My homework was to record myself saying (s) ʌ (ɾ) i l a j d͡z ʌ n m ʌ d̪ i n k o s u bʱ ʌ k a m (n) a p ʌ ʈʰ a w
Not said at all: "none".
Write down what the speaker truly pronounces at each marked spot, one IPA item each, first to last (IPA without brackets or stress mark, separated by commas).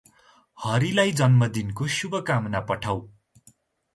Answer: h, ɾ, n